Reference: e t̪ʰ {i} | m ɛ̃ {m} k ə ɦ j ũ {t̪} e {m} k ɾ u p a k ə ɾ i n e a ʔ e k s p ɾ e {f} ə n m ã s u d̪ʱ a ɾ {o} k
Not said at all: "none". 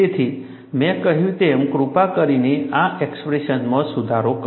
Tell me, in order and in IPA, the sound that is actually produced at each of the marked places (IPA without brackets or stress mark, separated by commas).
i, none, t̪, m, ʃ, o